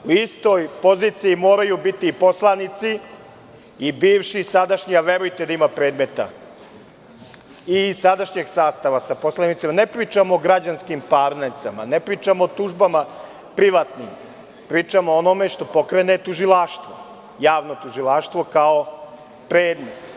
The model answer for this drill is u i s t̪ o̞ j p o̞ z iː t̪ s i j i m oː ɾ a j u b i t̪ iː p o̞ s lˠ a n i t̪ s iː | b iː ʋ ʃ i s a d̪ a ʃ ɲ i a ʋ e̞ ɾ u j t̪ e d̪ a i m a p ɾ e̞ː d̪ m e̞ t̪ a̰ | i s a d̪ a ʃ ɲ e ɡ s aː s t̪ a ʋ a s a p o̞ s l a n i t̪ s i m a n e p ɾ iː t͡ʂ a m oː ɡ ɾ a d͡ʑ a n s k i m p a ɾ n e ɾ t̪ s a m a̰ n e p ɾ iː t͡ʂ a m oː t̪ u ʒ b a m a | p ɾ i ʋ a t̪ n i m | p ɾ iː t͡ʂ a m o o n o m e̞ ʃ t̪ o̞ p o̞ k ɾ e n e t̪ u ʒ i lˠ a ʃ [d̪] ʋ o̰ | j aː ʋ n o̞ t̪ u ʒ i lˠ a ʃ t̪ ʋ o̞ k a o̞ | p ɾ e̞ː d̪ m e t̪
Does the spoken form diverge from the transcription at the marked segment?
yes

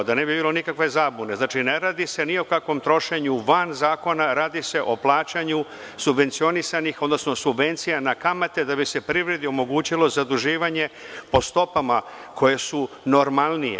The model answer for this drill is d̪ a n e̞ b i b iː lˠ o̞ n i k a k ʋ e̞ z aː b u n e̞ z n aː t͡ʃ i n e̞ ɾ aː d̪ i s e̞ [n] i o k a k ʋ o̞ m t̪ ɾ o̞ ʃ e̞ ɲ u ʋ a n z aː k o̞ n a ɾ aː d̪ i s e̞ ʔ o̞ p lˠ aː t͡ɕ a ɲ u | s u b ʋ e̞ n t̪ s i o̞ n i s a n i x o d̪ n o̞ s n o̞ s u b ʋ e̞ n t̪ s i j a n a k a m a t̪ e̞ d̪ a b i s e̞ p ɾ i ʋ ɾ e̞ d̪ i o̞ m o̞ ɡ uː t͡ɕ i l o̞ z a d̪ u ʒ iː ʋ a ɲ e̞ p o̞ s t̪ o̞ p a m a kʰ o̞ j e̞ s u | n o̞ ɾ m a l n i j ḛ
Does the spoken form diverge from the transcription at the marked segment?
no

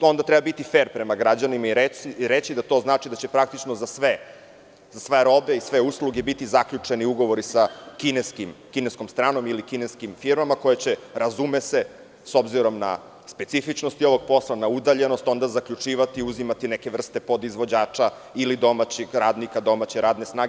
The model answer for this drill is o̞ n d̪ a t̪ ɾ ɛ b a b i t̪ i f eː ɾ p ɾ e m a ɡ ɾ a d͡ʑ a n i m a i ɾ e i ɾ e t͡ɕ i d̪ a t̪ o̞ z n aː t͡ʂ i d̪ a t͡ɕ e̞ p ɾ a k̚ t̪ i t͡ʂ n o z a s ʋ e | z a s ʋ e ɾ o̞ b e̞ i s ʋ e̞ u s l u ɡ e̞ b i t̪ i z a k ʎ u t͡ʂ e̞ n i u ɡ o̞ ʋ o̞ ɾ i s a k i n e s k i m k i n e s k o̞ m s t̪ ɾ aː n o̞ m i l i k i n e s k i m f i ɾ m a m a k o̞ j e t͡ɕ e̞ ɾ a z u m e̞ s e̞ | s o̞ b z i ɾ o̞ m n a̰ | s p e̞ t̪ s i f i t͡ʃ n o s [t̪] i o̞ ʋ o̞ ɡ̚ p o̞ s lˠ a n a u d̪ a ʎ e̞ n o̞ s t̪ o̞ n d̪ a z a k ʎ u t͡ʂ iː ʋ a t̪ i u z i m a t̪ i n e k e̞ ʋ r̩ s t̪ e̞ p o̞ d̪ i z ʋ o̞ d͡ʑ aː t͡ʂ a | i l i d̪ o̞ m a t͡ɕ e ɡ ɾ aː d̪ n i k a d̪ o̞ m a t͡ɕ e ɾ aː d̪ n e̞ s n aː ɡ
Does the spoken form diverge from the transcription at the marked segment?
no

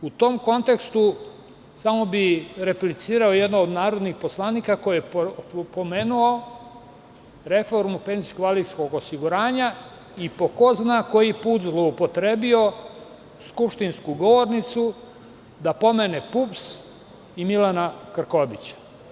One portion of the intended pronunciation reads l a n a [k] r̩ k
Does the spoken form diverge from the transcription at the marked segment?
no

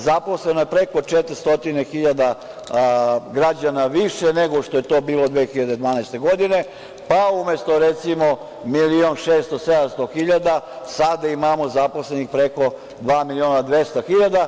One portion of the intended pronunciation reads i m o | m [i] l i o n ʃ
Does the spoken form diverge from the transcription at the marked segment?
no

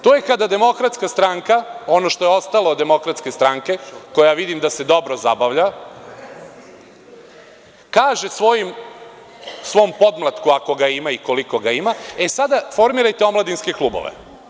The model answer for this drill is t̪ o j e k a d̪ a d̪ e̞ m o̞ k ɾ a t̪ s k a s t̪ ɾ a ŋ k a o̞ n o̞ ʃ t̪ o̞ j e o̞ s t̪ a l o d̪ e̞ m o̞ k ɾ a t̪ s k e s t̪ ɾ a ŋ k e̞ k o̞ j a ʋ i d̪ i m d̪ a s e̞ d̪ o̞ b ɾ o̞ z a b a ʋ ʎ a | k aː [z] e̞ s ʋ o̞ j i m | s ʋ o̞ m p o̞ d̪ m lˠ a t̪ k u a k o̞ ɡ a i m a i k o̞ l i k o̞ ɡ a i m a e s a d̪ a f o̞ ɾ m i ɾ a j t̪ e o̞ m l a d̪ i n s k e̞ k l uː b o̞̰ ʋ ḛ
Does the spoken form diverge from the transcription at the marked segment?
yes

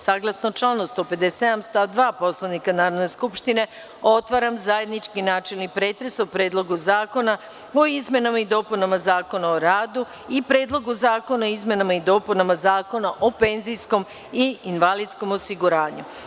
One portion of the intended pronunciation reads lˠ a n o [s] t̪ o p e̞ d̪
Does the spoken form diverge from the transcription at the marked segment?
no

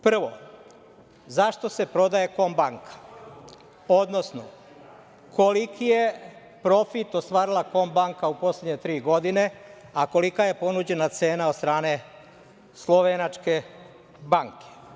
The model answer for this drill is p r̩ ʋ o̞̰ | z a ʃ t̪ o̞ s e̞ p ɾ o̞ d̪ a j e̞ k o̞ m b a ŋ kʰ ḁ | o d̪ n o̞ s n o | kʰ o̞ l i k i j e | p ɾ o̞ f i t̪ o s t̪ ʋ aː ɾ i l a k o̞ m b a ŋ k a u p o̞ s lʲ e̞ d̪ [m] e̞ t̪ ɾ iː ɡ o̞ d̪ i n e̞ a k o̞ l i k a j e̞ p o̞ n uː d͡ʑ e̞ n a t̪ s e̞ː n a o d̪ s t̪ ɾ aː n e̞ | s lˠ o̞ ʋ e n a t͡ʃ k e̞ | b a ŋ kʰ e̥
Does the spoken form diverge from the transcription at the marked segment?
yes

